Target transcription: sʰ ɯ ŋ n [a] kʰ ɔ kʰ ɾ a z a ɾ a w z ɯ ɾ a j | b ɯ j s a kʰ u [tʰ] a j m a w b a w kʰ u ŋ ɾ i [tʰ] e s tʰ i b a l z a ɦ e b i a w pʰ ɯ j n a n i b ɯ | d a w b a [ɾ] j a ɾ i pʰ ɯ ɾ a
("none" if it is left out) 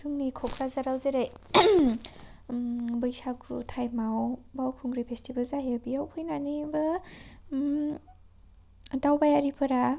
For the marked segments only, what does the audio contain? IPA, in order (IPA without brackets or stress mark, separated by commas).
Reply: i, tʰ, pʰ, none